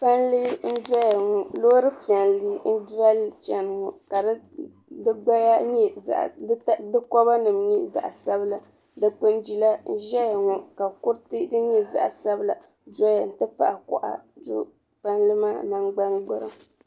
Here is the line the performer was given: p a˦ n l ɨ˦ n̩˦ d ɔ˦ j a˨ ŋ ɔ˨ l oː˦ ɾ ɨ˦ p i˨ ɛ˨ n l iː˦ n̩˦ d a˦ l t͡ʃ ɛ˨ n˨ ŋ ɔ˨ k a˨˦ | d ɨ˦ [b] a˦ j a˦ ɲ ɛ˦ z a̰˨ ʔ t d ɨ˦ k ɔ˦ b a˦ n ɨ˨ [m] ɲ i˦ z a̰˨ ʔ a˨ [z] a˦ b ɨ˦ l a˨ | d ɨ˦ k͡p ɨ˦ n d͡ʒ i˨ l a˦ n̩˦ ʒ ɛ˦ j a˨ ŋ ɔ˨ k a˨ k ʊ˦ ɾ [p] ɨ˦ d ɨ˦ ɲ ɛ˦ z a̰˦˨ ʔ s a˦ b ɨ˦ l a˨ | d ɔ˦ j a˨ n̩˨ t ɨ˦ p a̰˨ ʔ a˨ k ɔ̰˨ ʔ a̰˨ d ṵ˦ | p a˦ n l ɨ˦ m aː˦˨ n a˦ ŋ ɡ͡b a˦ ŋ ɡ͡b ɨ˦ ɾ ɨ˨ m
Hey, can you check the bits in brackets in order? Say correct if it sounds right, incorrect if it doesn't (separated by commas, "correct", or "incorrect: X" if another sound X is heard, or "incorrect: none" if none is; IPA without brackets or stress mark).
incorrect: ɡ͡b, correct, incorrect: s, incorrect: t